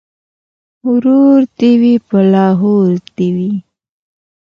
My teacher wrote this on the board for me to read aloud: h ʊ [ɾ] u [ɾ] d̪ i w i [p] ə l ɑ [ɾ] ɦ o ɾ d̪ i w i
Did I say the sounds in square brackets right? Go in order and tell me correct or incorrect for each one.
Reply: correct, correct, correct, incorrect

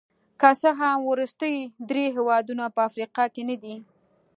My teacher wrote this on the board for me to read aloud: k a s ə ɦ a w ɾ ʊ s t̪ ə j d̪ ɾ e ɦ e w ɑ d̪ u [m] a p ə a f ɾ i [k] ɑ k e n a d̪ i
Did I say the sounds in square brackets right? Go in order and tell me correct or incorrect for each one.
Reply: incorrect, incorrect

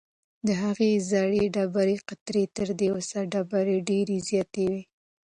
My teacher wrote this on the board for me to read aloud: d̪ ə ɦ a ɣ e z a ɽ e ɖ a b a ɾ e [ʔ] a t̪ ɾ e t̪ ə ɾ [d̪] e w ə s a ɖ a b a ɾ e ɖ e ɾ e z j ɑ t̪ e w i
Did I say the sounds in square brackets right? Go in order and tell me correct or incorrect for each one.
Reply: incorrect, correct

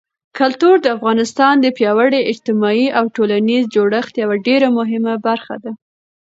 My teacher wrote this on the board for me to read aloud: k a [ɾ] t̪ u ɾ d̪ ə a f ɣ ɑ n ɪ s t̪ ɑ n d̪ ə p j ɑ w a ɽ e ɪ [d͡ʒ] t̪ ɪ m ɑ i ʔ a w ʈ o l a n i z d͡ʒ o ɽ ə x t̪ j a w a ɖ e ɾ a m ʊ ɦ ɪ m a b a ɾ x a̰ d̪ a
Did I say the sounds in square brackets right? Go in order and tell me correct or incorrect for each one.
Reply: incorrect, correct

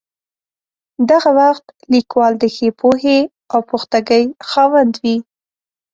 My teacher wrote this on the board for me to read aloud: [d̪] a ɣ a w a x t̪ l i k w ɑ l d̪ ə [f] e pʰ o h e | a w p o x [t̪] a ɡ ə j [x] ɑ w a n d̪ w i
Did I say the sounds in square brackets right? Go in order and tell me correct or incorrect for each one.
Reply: correct, incorrect, correct, correct

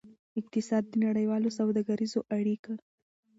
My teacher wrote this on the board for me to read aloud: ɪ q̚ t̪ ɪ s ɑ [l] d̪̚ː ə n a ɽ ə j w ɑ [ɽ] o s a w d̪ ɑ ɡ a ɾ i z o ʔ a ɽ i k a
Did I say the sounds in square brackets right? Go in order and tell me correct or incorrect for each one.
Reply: incorrect, incorrect

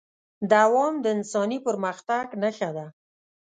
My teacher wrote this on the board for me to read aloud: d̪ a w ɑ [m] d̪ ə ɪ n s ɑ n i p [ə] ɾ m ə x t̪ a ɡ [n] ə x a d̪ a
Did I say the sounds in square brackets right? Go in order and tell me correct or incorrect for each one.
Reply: correct, correct, correct

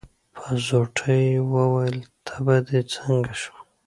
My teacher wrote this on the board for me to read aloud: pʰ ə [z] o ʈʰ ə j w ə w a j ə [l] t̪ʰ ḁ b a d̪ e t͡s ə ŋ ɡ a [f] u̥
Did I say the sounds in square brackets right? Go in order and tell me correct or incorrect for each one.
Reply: correct, correct, incorrect

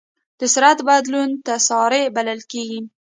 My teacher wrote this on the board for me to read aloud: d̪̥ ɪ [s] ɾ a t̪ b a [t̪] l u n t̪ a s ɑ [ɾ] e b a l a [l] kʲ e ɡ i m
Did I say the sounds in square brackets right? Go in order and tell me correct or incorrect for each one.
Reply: correct, incorrect, correct, correct

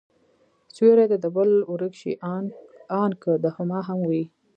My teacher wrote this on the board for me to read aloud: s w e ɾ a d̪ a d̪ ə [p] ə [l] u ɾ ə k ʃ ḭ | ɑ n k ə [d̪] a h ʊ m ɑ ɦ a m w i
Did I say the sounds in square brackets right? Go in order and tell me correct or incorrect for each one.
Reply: incorrect, correct, correct

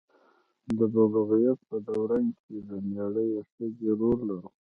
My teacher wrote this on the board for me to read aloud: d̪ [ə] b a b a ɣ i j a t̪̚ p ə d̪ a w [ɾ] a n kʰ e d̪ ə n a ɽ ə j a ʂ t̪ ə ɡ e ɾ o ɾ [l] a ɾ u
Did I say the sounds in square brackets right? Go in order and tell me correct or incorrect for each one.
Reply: correct, correct, correct

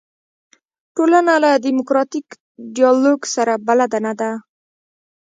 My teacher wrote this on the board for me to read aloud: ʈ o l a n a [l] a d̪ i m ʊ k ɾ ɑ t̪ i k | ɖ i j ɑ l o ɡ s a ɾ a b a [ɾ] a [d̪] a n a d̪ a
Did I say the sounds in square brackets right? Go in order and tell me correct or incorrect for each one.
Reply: correct, incorrect, correct

